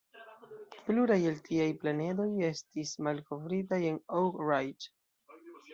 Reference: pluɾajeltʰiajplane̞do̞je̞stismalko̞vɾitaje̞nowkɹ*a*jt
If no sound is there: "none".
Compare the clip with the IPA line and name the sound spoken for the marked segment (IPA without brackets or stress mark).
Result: a